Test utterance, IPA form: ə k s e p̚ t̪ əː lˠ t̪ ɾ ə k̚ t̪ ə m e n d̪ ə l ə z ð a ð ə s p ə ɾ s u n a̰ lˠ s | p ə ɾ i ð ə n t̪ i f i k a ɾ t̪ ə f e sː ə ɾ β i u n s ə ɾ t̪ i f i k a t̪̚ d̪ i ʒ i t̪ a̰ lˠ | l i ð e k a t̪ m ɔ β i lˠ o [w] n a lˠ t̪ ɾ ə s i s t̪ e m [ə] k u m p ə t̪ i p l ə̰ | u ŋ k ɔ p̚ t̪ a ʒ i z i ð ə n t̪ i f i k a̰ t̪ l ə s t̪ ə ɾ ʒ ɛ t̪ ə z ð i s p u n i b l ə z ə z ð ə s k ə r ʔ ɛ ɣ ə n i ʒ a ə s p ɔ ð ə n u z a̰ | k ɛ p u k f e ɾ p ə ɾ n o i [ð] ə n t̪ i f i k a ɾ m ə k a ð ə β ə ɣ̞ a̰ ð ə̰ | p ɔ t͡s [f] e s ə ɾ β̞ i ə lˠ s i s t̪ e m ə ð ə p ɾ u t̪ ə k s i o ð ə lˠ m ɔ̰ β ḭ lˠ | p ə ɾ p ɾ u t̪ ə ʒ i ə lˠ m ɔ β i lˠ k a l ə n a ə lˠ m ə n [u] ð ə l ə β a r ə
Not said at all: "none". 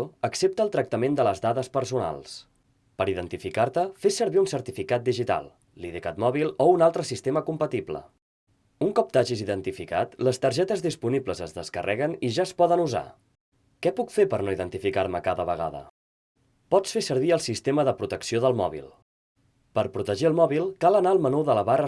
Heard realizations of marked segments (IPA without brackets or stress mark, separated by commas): u, ə, ð, f, u